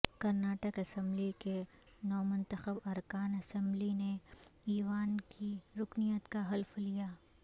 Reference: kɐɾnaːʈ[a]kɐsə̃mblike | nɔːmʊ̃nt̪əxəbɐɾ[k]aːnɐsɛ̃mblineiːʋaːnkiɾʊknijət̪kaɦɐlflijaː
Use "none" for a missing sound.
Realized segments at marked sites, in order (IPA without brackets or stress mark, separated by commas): ə, k